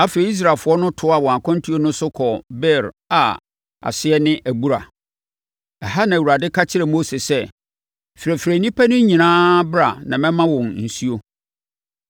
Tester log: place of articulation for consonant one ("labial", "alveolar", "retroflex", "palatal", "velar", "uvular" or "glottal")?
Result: labial